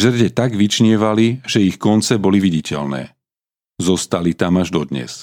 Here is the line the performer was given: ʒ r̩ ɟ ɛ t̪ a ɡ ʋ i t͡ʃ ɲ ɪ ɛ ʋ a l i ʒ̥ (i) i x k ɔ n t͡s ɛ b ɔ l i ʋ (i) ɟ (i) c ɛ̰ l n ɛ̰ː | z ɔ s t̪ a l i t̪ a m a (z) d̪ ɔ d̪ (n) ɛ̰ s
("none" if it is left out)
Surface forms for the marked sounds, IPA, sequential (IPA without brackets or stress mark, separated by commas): ɛ, i, i, ʒ, ɲ